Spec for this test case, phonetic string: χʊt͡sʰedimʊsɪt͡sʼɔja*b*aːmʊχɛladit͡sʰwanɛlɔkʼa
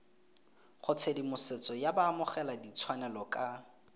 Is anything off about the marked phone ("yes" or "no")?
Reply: no